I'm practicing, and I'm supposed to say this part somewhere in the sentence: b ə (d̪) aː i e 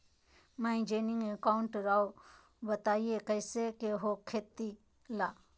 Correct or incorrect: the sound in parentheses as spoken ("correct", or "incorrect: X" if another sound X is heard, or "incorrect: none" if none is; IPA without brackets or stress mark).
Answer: incorrect: t̪